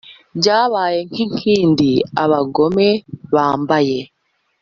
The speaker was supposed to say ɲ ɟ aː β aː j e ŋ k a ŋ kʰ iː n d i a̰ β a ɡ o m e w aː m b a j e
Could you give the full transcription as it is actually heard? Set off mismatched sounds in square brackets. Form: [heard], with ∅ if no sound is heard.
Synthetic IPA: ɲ ɟ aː β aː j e ŋ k [i] ŋ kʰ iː n d i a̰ β a ɡ o m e [β] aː m b a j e